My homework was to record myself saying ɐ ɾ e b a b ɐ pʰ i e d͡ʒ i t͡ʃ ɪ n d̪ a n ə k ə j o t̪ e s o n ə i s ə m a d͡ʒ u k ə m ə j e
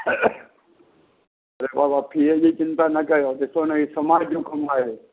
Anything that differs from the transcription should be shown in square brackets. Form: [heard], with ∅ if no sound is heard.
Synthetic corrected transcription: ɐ ɾ e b a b [a] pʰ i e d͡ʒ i t͡ʃ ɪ n [t̪] a n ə k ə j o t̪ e s o n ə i s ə m a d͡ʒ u k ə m [a] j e